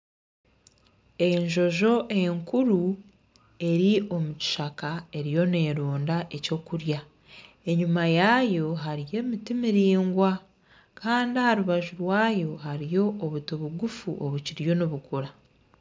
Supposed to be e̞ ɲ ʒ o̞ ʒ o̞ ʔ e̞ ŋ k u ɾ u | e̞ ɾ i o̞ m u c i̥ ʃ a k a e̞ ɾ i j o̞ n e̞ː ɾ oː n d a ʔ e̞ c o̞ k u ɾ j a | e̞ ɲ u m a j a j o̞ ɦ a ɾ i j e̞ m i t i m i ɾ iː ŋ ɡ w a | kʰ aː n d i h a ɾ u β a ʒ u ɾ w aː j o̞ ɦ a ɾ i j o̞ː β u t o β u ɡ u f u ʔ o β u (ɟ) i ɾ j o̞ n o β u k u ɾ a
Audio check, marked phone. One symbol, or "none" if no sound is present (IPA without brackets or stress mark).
c